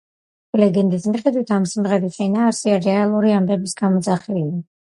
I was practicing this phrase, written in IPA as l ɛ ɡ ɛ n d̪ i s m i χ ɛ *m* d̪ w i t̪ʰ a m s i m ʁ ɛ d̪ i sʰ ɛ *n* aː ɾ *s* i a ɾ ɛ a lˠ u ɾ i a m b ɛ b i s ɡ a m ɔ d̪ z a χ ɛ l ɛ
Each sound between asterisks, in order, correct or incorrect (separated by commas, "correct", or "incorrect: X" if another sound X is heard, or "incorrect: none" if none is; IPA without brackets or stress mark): incorrect: none, correct, correct